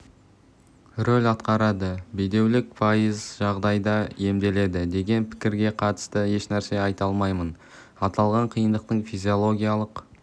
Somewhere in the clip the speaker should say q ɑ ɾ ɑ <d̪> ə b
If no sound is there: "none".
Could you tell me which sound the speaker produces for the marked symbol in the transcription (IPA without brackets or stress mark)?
d̪